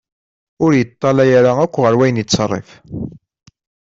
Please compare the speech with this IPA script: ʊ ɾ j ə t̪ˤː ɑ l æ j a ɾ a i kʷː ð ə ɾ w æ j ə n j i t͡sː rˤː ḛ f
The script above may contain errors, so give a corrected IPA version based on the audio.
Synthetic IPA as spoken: ʊ ɾ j ə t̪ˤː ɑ l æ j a ɾ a æ kʷː ʁ ə ɾ w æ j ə n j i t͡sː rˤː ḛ f